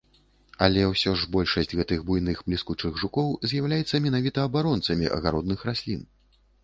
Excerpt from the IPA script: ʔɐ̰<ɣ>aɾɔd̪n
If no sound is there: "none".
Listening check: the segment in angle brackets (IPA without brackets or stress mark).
ɣ